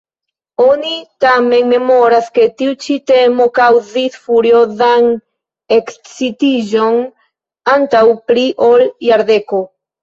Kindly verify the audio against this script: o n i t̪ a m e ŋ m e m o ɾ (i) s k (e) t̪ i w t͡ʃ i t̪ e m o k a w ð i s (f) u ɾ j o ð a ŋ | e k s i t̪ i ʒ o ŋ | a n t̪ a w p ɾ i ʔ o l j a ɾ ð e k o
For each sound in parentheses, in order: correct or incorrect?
incorrect, correct, correct

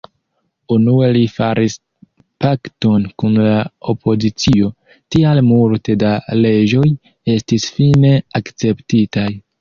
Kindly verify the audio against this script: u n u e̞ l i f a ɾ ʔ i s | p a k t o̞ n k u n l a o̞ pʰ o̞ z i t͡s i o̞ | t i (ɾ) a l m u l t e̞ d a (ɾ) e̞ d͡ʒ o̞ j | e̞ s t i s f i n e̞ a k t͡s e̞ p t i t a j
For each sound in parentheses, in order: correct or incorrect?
incorrect, incorrect

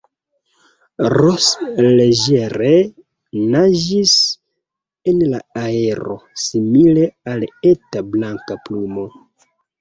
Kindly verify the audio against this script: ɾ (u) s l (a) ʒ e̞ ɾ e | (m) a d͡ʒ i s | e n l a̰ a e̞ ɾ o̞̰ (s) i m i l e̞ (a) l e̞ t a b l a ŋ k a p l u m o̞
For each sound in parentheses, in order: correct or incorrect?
incorrect, incorrect, incorrect, correct, correct

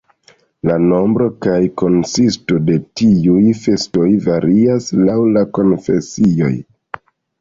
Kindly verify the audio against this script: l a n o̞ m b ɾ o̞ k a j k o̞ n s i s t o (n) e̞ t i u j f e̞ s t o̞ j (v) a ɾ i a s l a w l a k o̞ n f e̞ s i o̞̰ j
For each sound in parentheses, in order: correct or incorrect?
incorrect, correct

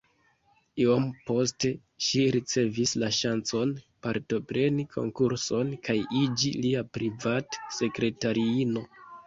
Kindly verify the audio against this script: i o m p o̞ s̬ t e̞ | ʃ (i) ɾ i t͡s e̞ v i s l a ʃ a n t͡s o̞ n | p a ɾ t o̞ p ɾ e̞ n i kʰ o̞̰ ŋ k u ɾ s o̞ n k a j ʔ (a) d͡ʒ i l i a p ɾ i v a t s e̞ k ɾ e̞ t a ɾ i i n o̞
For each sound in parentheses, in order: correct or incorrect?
correct, incorrect

